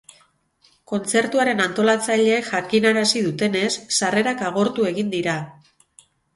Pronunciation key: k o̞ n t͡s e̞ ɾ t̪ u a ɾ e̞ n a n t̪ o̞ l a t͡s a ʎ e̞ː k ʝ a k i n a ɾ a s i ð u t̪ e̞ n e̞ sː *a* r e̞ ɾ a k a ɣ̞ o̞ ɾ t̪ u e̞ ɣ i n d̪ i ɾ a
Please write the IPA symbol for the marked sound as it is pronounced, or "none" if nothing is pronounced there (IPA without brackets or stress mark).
a